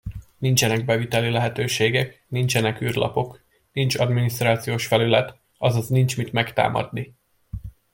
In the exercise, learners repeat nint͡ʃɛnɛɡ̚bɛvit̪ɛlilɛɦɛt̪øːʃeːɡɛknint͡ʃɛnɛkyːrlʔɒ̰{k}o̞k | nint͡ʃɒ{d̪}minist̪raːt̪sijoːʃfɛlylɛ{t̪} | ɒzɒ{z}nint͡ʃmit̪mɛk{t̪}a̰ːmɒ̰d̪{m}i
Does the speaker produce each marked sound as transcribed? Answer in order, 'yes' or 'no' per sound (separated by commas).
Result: no, yes, yes, yes, yes, no